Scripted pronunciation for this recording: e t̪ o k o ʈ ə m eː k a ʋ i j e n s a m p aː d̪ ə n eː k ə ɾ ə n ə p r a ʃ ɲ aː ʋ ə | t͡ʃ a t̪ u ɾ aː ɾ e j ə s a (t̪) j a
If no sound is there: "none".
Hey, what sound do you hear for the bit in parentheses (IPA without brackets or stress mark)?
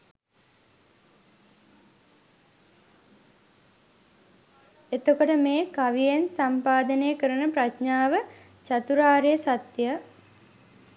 t̪